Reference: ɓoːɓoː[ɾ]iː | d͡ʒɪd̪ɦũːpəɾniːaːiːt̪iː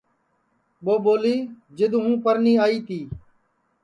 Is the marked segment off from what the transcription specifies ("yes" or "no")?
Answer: yes